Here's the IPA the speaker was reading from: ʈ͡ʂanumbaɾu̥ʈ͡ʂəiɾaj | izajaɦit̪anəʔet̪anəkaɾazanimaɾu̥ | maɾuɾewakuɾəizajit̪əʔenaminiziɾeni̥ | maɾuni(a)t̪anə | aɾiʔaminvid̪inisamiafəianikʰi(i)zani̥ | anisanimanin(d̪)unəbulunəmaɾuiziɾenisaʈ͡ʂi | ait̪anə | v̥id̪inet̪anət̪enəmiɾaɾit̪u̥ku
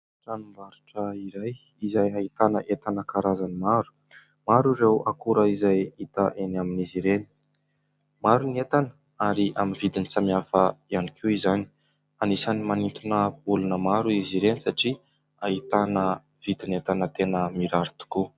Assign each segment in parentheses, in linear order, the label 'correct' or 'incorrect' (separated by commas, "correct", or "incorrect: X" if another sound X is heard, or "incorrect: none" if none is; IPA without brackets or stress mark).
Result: incorrect: e, correct, incorrect: t̪